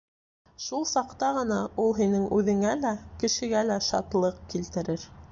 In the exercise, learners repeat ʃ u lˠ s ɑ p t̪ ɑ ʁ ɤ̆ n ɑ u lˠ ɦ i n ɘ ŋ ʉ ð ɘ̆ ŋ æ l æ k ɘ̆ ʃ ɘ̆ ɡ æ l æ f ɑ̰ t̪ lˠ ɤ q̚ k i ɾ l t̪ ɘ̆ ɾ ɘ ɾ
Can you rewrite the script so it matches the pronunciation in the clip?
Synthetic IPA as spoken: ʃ u lˠ s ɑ q t̪ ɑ ʁ ɤ̆ n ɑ u lˠ ɦ i n ɘ ŋ ʉ ð ɘ̆ ŋ æ l æ k ɘ̆ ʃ ɘ̆ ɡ æ l æ ʃ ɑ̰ t̪ lˠ ɤ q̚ k i l t̪ ɘ̆ ɾ ɘ ɾ